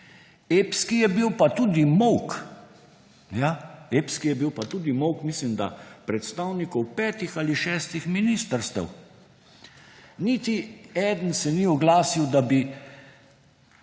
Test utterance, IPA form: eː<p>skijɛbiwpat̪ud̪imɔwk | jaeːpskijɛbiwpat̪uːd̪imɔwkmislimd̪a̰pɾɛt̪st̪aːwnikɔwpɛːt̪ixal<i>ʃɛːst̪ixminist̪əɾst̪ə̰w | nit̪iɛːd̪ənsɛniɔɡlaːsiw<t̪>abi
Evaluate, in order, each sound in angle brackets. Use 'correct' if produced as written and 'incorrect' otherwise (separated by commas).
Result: correct, correct, incorrect